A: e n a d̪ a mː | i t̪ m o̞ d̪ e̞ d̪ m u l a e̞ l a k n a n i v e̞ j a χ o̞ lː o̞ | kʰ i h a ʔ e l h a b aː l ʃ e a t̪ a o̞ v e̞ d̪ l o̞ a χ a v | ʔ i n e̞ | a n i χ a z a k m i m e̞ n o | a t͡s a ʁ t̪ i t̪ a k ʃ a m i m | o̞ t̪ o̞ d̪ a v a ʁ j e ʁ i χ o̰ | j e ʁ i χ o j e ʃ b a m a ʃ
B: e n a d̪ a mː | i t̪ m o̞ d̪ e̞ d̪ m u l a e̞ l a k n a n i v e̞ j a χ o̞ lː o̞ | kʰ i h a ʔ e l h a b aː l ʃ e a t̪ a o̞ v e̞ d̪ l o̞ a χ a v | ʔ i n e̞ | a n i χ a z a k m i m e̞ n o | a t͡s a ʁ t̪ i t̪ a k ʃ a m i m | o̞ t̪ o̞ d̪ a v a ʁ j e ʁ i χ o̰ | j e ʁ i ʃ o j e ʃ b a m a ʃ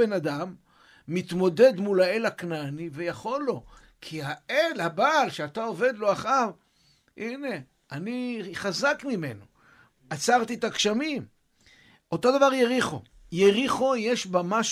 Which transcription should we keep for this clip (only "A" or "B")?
A